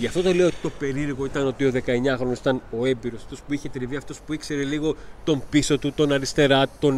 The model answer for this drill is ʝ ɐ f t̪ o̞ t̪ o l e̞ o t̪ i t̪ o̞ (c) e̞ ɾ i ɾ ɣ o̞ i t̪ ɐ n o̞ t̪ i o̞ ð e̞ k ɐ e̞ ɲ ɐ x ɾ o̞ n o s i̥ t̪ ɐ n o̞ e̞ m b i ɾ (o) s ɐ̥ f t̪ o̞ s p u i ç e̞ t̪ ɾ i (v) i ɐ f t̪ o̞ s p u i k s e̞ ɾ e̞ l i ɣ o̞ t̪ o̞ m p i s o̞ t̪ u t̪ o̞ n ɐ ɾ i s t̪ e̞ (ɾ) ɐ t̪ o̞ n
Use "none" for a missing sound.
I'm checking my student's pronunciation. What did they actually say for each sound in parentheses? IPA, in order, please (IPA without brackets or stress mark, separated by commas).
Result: p, o, v, ɾ